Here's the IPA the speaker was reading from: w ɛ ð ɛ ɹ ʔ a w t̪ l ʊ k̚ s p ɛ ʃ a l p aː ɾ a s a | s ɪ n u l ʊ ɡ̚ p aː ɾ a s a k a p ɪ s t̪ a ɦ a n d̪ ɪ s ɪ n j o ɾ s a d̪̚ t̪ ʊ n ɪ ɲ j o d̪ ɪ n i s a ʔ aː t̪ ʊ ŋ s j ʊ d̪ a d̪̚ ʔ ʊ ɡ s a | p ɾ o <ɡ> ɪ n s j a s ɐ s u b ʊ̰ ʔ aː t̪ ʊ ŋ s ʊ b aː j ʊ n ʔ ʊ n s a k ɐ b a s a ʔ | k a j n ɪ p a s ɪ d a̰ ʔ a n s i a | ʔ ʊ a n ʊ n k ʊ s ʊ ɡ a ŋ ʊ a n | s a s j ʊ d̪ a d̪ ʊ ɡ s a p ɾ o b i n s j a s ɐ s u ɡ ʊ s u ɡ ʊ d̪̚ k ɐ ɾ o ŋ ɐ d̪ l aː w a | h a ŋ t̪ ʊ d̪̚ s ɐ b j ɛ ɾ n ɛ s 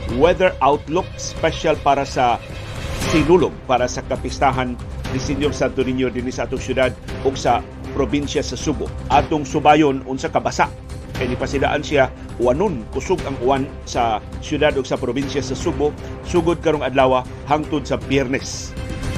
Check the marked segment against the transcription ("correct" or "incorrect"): incorrect